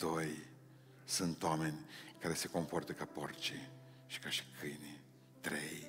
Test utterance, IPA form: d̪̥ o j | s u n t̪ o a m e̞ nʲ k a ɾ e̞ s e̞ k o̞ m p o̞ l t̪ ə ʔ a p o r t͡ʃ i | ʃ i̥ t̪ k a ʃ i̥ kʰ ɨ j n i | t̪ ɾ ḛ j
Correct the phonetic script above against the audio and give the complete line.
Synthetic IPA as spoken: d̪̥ o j | s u n t̪ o a m e̞ nʲ k a ɾ e̞ s e̞ k o̞ m p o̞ r t̪ ə k a p o r t͡ʃ i | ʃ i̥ k a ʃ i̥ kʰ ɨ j n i | t̪ ɾ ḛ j